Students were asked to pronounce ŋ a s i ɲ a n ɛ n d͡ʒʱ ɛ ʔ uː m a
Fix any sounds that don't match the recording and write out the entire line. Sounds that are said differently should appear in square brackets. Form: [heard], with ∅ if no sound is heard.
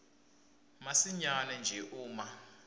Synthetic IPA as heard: [m] a s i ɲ a n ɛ n d͡ʒʱ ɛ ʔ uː m a